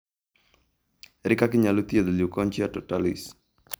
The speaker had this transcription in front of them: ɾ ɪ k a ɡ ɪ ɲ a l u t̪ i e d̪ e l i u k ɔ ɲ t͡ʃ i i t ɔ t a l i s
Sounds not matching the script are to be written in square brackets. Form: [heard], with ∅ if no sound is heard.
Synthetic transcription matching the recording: ɾ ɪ k a [k] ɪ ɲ a l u t̪ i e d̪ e l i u k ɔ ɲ t͡ʃ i [a] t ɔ t a l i s